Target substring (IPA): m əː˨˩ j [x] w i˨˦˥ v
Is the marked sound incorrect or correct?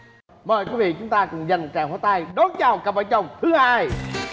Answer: incorrect